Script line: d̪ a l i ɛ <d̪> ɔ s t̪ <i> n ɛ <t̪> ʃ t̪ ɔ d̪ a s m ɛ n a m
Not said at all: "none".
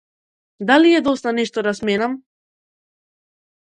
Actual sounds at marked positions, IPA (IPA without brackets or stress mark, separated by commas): d̪, a, none